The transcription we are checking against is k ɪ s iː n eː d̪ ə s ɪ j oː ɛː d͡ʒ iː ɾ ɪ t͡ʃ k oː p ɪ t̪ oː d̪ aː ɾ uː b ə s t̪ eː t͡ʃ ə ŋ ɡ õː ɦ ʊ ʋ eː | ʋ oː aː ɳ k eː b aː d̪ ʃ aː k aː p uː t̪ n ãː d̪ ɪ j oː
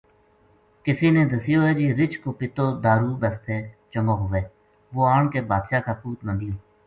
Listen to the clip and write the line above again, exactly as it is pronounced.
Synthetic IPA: k ɪ s iː n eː d̪ ə s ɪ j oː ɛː d͡ʒ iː ɾ ɪ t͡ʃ k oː p ɪ t̪ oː d̪ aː ɾ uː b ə s t̪ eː t͡ʃ ə ŋ ɡ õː ɦ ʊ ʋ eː | ʋ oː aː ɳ k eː b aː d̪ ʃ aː k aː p uː t̪ n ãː d̪ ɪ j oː